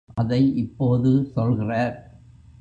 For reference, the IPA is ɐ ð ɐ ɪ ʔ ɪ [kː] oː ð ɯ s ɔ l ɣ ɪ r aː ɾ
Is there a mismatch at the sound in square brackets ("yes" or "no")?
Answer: yes